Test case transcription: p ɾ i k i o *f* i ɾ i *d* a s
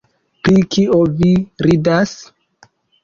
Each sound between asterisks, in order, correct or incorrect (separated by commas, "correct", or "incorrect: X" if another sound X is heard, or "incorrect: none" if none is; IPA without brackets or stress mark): incorrect: v, correct